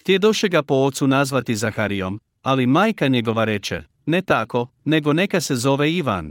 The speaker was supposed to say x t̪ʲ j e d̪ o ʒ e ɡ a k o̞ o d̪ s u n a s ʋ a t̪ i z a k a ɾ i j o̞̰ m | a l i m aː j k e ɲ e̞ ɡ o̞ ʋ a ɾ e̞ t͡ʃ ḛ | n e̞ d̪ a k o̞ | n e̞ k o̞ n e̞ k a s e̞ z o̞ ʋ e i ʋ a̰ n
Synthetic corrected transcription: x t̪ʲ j e d̪ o ʃ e ɡ a p o̞ o t̪ s u n a z ʋ a t̪ i z a x a ɾ i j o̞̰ m | a l i m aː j k a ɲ e̞ ɡ o̞ ʋ a ɾ e̞ t͡ʃ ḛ | n e̞ t̪ a k o̞ | n e̞ ɡ o̞ n e̞ k a s e̞ z o̞ ʋ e i ʋ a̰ n